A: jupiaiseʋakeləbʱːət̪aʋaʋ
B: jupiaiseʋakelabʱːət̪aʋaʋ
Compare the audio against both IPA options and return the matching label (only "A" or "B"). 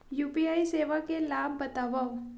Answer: B